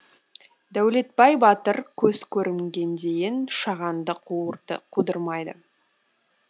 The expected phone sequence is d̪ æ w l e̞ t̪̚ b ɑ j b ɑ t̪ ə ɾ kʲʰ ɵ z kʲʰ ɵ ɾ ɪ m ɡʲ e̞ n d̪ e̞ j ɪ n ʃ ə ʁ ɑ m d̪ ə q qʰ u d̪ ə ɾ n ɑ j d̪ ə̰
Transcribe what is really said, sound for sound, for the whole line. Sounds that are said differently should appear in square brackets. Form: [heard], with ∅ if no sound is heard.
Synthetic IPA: d̪ æ w l e̞ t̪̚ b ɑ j b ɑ t̪ ə ɾ kʲʰ ɵ z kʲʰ ɵ ɾ ɪ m ɡʲ e̞ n d̪ e̞ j ɪ n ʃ [ɑ] ʁ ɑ [n] d̪ ə q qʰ u d̪ ə ɾ [m] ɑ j d̪ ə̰